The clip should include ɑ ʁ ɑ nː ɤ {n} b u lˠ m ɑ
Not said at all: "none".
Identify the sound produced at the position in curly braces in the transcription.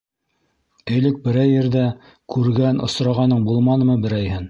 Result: ɴ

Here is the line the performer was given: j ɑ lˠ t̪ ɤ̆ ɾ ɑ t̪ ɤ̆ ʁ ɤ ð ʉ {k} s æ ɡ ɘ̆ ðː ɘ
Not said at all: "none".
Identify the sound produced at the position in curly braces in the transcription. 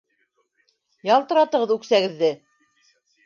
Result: k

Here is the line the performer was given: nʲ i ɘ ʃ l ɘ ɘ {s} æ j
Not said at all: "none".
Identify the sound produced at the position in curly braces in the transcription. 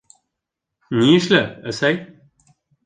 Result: s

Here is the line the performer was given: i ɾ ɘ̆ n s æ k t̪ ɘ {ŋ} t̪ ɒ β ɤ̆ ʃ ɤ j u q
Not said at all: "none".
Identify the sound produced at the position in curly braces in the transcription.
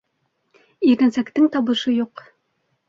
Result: ŋ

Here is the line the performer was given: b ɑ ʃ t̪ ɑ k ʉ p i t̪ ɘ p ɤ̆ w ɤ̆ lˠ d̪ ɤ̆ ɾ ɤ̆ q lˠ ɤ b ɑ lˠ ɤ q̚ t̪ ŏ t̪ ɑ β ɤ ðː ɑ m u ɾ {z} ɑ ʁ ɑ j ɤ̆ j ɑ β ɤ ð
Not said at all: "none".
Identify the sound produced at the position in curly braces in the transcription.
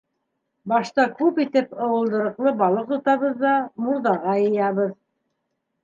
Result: ð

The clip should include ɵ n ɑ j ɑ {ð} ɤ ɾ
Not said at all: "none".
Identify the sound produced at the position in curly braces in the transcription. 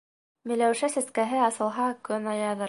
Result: ð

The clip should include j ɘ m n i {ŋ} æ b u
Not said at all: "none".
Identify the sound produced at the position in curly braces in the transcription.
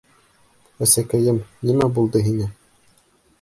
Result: m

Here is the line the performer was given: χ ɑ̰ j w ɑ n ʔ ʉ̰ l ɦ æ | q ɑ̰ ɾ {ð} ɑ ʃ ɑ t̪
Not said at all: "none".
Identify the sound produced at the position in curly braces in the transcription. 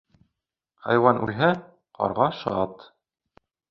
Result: ʁ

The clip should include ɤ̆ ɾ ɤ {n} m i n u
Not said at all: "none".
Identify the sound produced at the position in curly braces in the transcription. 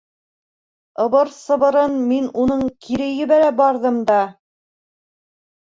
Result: n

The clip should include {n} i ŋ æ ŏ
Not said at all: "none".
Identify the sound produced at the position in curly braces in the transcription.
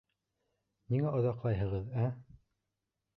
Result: n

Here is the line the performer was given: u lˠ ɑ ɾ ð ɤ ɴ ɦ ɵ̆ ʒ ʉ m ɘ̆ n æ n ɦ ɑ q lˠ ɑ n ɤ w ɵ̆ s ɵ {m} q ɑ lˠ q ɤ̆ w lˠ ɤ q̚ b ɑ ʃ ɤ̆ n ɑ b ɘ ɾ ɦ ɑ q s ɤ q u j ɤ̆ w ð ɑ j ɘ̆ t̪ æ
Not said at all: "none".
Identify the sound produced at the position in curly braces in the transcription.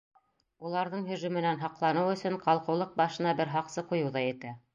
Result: ɴ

